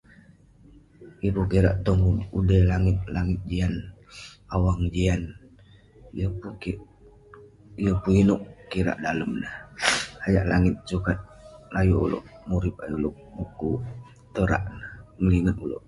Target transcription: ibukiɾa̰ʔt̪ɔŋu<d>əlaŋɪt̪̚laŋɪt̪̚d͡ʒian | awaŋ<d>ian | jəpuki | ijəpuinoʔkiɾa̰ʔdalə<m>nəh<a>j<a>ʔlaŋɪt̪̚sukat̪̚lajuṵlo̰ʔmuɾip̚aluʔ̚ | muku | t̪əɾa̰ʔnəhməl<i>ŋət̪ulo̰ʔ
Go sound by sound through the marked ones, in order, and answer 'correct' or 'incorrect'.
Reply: correct, incorrect: d͡ʒ, correct, correct, correct, correct

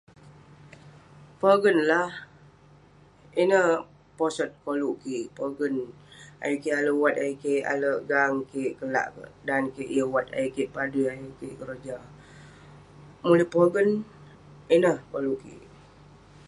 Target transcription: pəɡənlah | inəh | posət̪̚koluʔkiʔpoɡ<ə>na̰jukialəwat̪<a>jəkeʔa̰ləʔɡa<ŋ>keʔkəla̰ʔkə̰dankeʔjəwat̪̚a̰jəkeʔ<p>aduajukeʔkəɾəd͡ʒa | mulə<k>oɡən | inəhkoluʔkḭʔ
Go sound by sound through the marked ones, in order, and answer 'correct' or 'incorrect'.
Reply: correct, correct, correct, correct, incorrect: p

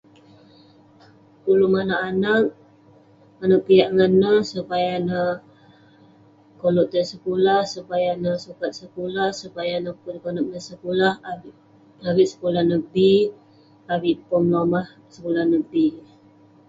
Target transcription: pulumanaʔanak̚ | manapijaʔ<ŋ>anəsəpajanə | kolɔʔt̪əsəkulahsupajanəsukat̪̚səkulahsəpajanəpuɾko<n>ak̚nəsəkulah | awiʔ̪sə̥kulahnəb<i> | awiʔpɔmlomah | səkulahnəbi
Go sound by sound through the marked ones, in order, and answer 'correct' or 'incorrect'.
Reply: correct, correct, correct

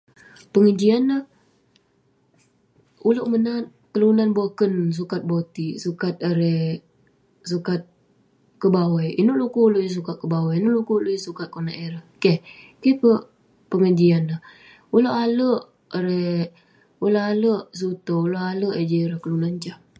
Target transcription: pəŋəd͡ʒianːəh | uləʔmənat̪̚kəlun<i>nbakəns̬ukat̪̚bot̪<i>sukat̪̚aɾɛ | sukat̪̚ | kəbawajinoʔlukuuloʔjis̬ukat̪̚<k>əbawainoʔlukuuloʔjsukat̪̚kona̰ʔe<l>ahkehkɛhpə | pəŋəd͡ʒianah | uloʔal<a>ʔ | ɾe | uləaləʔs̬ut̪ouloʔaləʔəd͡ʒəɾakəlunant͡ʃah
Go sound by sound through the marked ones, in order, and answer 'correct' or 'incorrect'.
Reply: incorrect: a, correct, correct, incorrect: ɾ, incorrect: ə

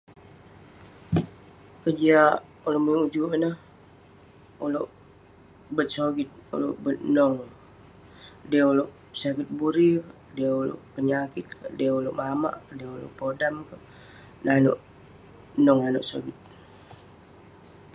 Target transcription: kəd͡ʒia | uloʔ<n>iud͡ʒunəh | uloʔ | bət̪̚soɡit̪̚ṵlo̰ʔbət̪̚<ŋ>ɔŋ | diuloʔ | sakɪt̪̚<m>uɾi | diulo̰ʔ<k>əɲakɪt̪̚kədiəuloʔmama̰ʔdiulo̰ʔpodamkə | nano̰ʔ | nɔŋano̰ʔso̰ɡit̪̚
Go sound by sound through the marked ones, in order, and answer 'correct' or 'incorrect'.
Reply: incorrect: m, incorrect: n, incorrect: b, incorrect: p

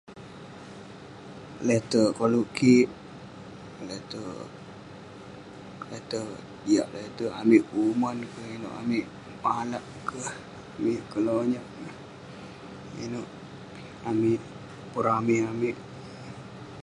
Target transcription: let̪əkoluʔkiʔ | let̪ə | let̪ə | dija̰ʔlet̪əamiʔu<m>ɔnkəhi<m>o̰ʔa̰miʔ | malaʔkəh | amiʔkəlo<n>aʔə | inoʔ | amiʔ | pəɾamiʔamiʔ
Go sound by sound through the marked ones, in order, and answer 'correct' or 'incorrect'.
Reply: correct, incorrect: n, incorrect: ɲ

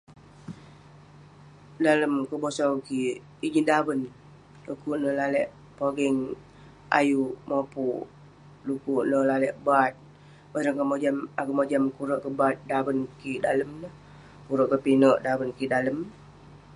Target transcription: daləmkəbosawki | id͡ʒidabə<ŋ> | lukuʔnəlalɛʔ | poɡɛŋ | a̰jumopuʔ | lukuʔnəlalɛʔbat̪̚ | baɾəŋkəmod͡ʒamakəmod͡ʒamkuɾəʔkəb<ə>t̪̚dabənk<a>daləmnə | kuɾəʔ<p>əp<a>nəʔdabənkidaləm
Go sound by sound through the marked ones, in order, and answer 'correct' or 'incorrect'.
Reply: incorrect: n, incorrect: a, incorrect: i, incorrect: k, incorrect: i

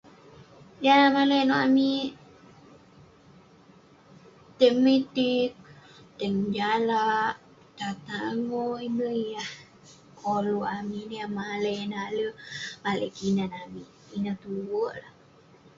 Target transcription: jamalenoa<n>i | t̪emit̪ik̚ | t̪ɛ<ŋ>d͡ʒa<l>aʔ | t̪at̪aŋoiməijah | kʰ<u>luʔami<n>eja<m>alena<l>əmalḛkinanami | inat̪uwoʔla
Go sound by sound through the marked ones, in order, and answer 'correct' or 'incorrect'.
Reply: incorrect: m, correct, correct, incorrect: o, correct, correct, correct

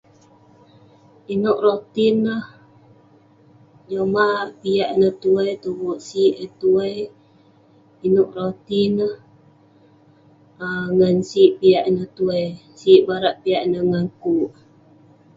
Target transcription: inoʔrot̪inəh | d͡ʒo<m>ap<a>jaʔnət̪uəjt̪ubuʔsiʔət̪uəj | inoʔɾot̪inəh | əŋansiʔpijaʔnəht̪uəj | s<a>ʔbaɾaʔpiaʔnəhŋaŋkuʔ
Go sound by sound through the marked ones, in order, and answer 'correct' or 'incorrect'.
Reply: correct, incorrect: i, incorrect: i

